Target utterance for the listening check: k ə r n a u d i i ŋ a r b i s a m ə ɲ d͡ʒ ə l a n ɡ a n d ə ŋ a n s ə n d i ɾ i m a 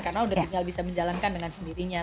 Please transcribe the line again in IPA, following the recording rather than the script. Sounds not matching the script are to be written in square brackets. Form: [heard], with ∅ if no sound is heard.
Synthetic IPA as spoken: k [a] r n a u d [a] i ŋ a [l] b i s a m ə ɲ d͡ʒ [a] l a n [k] a n d ə ŋ a n s ə n d i ɾ i [ɲ] a